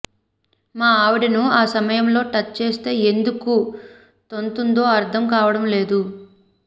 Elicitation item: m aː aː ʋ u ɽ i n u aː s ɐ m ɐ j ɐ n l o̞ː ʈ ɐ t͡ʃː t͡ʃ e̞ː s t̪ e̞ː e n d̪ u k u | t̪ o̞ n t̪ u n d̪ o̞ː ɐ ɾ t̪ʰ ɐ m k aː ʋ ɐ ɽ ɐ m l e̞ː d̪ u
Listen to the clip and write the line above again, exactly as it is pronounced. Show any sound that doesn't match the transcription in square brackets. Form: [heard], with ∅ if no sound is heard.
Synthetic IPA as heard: m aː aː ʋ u ɽ i n u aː s ɐ m ɐ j ɐ [m] l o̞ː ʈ ɐ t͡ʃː t͡ʃ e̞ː s t̪ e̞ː e n d̪ u k u | t̪ o̞ n t̪ u n d̪ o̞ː ɐ ɾ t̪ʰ ɐ m k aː ʋ ɐ ɽ ɐ m l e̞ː d̪ u